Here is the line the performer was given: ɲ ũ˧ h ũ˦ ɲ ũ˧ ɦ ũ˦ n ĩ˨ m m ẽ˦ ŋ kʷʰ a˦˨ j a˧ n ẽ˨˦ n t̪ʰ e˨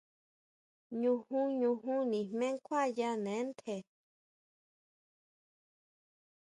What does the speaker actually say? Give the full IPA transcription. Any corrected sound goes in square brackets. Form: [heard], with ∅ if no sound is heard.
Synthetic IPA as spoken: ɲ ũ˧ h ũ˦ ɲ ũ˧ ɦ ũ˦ n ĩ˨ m m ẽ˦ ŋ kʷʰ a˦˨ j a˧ n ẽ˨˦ n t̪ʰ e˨